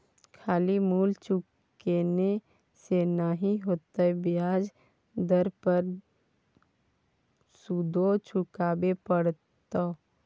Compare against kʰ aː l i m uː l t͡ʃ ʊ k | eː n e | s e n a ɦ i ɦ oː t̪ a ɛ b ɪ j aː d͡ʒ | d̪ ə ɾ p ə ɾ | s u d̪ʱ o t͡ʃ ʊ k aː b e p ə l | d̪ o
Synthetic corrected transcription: kʰ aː l i m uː l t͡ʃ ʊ k | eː n e | s e n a ɦ i ɦ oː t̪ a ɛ b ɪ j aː d͡ʒ | d̪ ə ɾ p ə ɾ | s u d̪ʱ o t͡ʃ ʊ k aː b e p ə ɽ | t̪ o